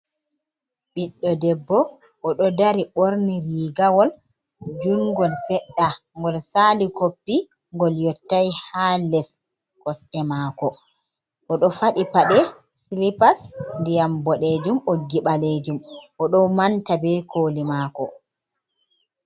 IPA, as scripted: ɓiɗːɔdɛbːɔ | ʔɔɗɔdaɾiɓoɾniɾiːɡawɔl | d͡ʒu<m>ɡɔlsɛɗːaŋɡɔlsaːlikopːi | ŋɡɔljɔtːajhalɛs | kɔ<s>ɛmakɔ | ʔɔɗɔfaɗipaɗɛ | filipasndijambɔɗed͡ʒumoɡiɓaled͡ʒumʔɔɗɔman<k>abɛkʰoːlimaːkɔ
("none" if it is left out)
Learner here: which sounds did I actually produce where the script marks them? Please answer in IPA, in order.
ŋ, s, t

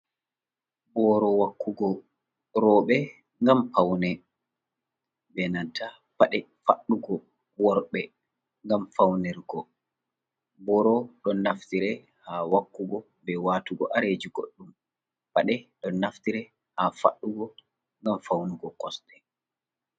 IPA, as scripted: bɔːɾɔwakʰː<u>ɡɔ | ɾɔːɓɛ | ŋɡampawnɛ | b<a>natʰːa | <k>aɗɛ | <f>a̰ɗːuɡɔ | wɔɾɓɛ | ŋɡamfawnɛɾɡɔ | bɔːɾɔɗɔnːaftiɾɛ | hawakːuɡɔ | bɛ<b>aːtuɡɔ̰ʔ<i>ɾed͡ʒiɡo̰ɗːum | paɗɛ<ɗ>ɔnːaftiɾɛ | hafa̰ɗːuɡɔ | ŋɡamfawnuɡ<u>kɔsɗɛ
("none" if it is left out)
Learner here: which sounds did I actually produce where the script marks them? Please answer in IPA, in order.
u, ɛ, p, f, w, a, ɗ, ɔ

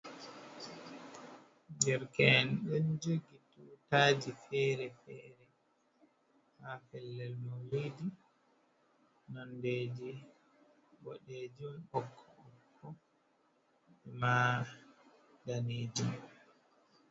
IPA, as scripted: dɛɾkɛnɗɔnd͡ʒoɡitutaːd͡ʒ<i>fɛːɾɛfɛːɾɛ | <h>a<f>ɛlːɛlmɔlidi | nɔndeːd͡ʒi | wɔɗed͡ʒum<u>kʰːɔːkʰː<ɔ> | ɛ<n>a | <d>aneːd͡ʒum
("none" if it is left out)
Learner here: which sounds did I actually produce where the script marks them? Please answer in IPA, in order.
i, h, f, ɔ, ɔ, m, d

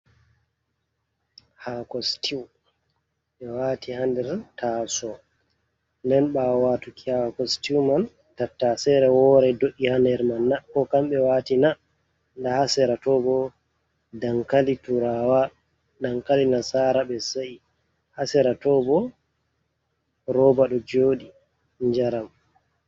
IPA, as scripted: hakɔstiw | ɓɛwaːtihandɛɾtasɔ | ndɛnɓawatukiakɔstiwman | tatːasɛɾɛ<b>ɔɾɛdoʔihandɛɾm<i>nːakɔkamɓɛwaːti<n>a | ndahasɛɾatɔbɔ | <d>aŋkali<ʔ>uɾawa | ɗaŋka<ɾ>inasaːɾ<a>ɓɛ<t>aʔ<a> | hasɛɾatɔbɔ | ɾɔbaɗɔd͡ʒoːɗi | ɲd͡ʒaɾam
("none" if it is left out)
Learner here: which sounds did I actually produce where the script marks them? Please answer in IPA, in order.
w, a, n, d, t, l, a, s, i

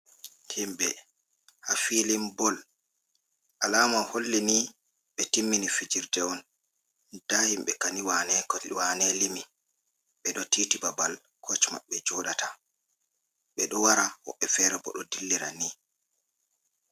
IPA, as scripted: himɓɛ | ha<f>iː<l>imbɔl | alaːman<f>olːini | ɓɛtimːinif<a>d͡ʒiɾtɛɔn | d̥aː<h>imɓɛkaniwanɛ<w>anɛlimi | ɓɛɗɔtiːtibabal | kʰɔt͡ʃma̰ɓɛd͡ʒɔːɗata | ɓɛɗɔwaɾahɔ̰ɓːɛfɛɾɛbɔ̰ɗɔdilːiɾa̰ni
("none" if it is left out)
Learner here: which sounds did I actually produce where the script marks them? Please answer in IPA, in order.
f, l, h, i, h, w

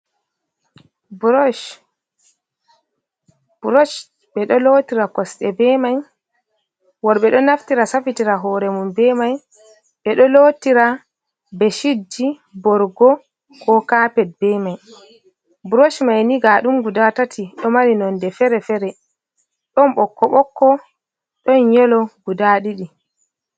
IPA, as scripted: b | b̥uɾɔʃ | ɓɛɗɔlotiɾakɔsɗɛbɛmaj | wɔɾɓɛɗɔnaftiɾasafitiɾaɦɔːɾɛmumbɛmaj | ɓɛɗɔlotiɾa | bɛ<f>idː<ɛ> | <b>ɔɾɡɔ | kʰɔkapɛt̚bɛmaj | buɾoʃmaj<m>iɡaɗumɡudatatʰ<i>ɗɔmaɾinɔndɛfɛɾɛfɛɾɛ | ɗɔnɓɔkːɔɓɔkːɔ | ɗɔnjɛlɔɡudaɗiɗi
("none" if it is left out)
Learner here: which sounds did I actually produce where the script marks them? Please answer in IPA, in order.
ʃ, i, b, n, i

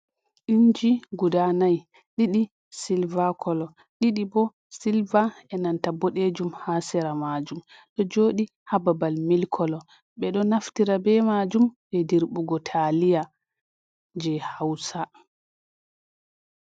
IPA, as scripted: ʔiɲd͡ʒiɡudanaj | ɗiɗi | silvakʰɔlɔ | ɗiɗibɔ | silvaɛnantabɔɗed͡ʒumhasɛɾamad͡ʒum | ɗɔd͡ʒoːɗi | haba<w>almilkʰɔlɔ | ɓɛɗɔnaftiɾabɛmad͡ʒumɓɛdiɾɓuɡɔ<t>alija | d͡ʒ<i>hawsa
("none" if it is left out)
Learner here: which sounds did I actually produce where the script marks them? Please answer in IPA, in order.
b, tʰ, ɛ

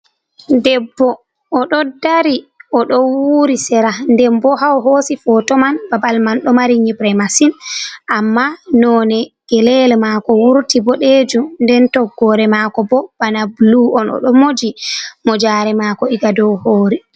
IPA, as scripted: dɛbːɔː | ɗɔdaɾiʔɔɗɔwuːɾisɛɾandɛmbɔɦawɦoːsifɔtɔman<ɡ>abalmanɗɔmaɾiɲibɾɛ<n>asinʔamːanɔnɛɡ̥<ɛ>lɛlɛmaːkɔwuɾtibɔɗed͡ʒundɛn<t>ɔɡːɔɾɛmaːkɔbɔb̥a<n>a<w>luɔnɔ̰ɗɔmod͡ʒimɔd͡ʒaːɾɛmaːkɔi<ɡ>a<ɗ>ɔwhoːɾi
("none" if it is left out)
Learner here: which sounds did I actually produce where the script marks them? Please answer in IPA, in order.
b, m, ɛ, t, n, b, ɡ, d

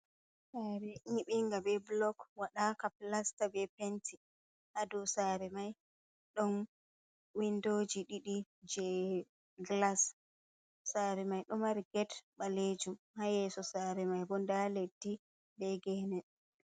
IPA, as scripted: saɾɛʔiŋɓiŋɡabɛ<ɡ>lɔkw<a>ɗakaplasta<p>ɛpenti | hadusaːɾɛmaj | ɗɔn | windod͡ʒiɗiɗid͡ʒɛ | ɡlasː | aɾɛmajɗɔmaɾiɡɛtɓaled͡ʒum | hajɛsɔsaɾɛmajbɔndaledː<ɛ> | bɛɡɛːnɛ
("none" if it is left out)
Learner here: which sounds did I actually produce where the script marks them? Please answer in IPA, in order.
b, a, b, i

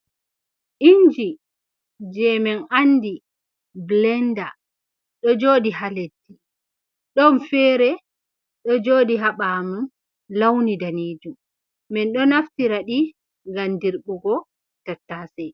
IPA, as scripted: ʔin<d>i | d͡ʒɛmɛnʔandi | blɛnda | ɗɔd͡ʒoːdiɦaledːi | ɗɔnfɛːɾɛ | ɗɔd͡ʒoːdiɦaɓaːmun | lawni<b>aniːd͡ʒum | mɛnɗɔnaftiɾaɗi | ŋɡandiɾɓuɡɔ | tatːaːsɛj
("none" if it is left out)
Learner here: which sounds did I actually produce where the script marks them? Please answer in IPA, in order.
d͡ʒ, d

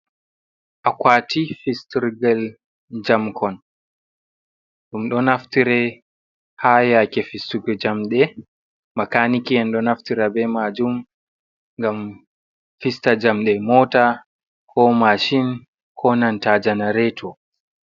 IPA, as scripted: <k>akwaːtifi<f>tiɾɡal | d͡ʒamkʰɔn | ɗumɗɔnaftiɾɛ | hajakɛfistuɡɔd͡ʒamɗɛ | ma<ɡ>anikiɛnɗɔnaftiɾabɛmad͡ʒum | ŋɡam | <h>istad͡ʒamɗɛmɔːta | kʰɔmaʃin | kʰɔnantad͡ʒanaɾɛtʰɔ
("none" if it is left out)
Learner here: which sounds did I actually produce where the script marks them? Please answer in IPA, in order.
ʔ, s, k, f

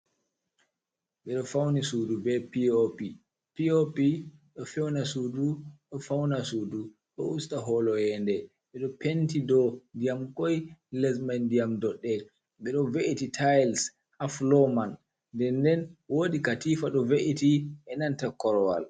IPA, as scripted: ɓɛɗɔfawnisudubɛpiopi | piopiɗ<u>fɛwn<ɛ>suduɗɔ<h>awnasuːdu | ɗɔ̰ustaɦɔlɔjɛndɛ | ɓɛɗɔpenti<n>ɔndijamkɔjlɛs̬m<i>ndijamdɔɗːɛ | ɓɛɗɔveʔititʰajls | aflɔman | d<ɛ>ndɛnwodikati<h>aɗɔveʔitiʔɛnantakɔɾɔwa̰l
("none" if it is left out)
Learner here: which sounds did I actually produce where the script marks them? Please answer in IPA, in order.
ɔ, a, f, d, a, ɛ, f

